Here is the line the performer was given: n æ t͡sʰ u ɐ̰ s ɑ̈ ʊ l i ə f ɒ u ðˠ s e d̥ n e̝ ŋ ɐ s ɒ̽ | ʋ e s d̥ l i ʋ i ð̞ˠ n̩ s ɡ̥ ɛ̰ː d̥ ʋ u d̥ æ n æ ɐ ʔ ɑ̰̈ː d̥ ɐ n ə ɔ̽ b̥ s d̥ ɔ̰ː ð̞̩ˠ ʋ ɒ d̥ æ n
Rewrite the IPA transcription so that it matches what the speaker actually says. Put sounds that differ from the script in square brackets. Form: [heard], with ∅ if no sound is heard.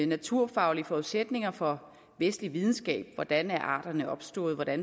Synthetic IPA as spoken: n æ t͡sʰ u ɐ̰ [f] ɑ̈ ʊ l i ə f ɒ u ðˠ s e d̥ n e̝ ŋ ɐ [f] ɒ̽ | ʋ e s d̥ l i ʋ i ð̞ˠ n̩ s ɡ̥ ɛ̰ː [b̥] ʋ [ɒ] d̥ æ n æ ɐ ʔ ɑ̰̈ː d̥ ɐ n ə [ɒ̽] b̥ s d̥ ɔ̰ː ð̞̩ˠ ʋ ɒ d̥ æ n

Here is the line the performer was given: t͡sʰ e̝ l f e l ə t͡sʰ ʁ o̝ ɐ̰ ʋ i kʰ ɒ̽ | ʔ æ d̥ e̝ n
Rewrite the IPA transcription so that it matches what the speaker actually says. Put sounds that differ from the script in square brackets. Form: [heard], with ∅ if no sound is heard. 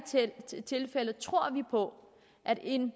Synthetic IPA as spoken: t͡sʰ e̝ l f e l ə t͡sʰ ʁ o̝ ɐ̰ ʋ i [pʰ] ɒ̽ | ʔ æ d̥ e̝ n

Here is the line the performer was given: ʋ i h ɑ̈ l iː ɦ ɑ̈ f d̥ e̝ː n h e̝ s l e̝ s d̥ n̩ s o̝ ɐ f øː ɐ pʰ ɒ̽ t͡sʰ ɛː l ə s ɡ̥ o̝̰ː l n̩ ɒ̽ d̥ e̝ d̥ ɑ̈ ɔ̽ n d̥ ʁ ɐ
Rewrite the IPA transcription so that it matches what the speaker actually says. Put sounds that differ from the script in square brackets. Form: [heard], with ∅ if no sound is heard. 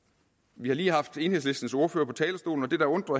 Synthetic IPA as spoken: ʋ i h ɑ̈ l iː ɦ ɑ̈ f d̥ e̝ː n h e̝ s l e̝ s d̥ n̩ s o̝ ɐ f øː ɐ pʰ ɒ̽ t͡sʰ ɛː l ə s [d̥] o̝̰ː l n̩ ɒ̽ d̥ e̝ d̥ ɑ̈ ɔ̽ n d̥ ʁ ɐ

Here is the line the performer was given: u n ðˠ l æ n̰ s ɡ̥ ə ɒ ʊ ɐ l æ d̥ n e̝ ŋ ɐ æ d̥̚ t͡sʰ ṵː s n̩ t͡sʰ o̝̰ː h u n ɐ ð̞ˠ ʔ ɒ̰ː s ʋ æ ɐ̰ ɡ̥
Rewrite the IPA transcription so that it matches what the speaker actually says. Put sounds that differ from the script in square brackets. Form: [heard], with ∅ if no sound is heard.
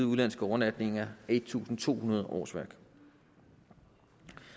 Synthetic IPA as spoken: u [∅] ðˠ l æ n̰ s ɡ̥ ə ɒ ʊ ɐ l æ d̥ n e̝ ŋ ɐ [e] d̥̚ t͡sʰ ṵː s n̩ t͡sʰ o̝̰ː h u n ɐ ð̞ˠ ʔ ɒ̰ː s ʋ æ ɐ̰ ɡ̥

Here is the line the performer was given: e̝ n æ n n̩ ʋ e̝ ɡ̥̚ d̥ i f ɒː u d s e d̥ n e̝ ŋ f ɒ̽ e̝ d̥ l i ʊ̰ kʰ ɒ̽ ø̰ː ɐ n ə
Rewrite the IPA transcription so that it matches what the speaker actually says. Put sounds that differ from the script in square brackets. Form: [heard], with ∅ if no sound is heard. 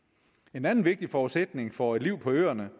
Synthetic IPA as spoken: e̝ n æ n n̩ ʋ e̝ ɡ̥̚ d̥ i f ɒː u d s e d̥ n e̝ ŋ f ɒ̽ e̝ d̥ l i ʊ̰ [pʰ] ɒ̽ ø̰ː ɐ n ə

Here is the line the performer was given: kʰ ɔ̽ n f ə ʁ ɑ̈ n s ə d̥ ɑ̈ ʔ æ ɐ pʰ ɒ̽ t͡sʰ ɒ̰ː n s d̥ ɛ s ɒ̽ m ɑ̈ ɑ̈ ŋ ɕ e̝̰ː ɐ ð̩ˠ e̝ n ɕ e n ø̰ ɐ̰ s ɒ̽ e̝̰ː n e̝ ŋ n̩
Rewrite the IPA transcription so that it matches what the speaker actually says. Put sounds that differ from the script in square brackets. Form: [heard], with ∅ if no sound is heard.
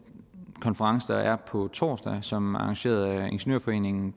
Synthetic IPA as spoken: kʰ [ɒ̽] n f ə ʁ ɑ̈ [ŋ] s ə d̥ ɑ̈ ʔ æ ɐ pʰ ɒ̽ t͡sʰ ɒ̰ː [∅] s d̥ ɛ s ɒ̽ m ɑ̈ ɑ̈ ŋ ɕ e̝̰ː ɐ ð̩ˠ e̝ n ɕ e n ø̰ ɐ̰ [f] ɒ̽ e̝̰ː n e̝ ŋ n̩

